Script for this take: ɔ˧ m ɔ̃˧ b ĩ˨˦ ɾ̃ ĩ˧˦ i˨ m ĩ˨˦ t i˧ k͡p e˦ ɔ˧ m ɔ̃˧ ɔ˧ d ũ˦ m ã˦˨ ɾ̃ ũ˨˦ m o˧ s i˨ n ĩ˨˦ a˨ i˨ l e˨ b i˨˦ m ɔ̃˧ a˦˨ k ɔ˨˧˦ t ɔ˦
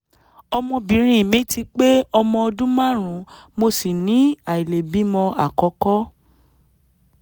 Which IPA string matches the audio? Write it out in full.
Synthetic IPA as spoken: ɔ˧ m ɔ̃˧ b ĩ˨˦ ɾ̃ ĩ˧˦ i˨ m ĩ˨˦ t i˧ k͡p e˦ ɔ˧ m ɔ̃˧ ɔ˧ d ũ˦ m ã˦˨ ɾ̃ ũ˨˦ m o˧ s i˨ n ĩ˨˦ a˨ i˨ l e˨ b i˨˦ m ɔ̃˧ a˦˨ k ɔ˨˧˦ k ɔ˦

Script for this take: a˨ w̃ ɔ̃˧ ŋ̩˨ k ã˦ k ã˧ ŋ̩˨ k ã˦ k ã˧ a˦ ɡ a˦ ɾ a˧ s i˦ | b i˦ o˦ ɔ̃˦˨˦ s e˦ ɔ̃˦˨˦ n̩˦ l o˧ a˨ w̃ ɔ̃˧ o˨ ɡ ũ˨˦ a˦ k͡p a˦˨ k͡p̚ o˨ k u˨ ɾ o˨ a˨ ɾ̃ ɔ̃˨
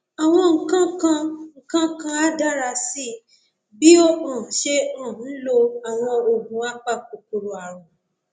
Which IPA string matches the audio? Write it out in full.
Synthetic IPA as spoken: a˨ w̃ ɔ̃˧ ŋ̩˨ k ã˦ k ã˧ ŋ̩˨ k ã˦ k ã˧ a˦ d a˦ ɾ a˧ s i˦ | b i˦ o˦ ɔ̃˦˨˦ ʃ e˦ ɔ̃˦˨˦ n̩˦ l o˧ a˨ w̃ ɔ̃˧ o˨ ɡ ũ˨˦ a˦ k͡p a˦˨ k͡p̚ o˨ k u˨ ɾ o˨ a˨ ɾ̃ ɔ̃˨

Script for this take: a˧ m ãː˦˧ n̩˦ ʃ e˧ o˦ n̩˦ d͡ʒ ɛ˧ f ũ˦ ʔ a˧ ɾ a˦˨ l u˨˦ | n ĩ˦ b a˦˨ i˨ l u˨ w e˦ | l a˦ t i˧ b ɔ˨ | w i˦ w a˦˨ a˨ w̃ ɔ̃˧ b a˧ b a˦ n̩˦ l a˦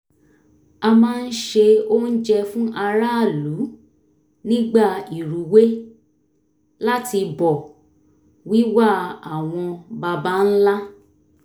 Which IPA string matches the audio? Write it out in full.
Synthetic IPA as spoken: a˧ m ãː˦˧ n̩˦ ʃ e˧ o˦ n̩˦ d͡ʒ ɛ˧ f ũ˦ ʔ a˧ ɾ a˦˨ l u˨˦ | n ĩ˦ ɡ͡b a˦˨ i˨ ɾ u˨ w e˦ | l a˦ t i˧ b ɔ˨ | w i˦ w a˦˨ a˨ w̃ ɔ̃˧ b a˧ b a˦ n̩˦ l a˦

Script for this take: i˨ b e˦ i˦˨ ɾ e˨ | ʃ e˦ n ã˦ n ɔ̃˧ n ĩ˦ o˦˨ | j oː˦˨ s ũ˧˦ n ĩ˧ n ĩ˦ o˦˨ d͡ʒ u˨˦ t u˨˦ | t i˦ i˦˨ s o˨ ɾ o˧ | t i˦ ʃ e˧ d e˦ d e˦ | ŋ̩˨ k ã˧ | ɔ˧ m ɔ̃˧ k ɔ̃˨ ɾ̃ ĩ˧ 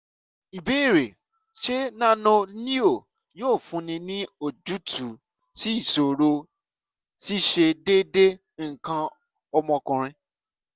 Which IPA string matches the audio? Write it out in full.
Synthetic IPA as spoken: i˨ b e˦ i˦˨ ɾ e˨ | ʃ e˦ n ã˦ n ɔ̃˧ n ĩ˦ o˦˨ | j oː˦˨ f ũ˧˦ n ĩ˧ n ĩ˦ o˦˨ d͡ʒ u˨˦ t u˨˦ | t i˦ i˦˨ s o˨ ɾ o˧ | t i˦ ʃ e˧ d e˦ d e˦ | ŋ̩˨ k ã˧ | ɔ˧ m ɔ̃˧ k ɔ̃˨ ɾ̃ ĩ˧

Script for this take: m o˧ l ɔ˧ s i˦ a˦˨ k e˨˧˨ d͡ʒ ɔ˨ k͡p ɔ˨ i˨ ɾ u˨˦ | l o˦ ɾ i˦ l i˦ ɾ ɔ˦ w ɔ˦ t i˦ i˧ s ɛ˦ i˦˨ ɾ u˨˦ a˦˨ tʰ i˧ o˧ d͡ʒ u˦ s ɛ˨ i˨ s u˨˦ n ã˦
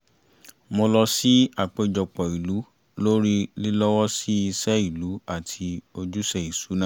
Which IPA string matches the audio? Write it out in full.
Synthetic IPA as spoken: m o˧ l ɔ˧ s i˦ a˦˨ k͡p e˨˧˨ d͡ʒ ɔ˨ k͡p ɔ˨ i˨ l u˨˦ | l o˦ ɾ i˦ l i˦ l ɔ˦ w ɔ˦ s i˦ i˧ s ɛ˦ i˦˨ l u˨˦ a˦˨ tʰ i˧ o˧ d͡ʒ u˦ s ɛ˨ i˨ s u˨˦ n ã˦

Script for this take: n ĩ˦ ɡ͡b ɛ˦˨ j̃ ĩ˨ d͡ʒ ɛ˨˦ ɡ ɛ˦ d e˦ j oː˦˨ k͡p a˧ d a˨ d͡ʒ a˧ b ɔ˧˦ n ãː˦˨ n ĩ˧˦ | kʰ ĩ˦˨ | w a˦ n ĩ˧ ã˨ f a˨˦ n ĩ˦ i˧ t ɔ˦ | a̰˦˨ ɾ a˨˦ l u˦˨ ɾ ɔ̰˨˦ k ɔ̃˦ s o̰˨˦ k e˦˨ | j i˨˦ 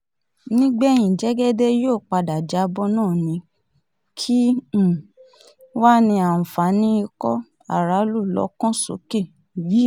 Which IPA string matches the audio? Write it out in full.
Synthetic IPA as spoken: n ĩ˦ ɡ͡b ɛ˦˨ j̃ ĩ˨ d͡ʒ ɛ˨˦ ɡ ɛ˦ d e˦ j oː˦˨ k͡p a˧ d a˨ d͡ʒ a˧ b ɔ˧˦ n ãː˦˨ n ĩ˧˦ | kʰ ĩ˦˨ | w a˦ n ĩ˧ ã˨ f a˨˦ n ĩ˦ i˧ k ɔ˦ | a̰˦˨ ɾ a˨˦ l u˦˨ l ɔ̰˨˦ k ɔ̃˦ s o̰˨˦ k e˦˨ | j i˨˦

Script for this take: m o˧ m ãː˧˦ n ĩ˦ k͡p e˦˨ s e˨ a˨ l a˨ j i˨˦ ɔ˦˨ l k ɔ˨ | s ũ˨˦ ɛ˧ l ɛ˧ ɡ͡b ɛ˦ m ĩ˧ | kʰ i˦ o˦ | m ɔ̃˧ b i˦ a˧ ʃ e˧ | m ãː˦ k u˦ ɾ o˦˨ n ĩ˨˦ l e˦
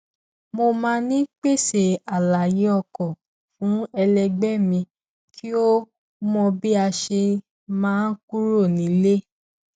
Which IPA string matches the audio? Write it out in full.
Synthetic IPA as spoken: m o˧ m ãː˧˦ n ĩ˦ k͡p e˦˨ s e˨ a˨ l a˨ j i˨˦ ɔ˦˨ k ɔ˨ | f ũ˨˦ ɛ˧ l ɛ˧ ɡ͡b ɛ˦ m ĩ˧ | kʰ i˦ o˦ | m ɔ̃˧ b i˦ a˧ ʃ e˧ | m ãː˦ k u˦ ɾ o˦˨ n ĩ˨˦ l e˦

